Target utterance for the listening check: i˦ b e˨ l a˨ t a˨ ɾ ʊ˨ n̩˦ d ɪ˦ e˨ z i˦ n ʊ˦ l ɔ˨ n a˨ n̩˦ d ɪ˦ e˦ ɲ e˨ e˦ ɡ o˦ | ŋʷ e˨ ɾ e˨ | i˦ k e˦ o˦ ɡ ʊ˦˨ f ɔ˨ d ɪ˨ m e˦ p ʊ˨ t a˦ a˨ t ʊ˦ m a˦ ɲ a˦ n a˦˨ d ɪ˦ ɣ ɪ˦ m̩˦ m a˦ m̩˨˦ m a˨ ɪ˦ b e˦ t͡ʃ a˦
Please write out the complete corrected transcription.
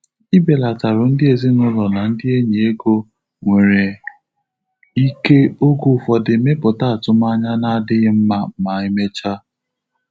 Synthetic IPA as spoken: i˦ b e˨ l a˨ t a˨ ɾ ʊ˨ n̩˦ d ɪ˦ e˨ z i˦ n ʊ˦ l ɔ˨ n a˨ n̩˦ d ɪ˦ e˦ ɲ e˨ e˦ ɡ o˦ | ŋʷ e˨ ɾ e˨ | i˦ k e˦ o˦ ɡ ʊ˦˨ f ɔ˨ d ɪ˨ m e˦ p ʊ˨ t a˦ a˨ t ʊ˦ m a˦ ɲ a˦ n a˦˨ d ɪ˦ ɣ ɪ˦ m̩˦ m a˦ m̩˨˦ m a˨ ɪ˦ m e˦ t͡ʃ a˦

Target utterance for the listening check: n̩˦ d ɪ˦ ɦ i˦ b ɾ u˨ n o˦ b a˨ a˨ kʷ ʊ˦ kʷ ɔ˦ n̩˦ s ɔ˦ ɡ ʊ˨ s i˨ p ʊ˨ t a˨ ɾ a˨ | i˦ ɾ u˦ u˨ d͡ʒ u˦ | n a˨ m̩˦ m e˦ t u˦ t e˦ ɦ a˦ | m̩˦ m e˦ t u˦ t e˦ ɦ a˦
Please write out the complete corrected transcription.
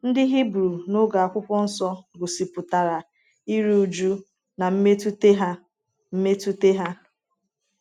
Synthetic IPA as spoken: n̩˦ d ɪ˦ ɦ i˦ b ɾ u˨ n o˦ ɡ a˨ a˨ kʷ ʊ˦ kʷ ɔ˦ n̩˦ s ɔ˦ ɡ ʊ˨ s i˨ p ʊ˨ t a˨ ɾ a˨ | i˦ ɾ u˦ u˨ d͡ʒ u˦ | n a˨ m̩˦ m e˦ t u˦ t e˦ ɦ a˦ | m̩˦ m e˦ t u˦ t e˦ ɦ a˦

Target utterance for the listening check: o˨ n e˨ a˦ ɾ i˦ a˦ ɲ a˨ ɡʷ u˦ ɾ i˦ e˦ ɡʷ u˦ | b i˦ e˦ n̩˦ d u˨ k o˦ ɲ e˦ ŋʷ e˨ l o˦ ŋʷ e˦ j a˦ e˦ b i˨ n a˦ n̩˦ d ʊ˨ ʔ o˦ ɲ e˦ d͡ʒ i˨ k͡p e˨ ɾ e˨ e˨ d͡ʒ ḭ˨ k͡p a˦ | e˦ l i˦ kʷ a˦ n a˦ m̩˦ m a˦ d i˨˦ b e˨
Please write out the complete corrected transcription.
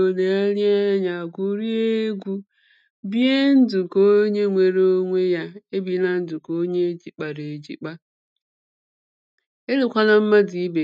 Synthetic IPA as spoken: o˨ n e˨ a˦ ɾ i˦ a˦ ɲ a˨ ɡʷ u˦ ɾ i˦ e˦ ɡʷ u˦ | b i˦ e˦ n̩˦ d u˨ k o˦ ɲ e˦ ŋʷ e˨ ɾ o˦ ŋʷ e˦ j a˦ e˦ b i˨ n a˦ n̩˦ d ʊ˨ k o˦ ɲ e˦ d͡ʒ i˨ k͡p a˨ ɾ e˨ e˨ d͡ʒ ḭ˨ k͡p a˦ | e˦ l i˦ kʷ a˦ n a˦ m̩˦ m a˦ d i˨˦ b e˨

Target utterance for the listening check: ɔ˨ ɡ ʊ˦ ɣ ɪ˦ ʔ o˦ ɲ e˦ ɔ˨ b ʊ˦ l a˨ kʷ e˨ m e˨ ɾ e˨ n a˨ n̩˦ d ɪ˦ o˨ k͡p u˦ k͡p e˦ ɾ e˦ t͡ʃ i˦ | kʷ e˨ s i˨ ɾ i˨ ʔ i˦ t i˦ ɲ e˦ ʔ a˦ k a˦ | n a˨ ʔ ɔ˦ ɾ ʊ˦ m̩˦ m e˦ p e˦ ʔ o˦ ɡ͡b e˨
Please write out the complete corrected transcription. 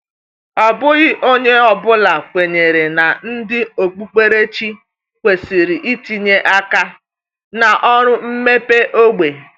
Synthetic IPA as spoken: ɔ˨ b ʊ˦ ɣ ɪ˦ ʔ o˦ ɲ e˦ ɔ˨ b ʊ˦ l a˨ kʷ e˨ ɲ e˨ ɾ e˨ n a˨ n̩˦ d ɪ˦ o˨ k͡p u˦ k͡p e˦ ɾ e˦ t͡ʃ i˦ | kʷ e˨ s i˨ ɾ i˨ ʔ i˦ t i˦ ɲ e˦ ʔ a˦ k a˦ | n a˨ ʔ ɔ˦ ɾ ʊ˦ m̩˦ m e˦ p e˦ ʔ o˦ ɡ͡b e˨

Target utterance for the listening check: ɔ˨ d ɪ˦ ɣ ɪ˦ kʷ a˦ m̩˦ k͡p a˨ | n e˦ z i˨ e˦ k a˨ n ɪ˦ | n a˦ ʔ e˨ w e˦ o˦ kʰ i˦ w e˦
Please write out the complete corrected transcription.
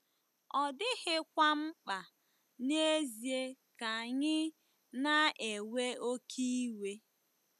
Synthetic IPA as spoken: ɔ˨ d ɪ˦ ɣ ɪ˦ kʷ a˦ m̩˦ k͡p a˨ | n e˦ z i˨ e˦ k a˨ ɲ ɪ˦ | n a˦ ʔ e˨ w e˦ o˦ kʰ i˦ w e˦

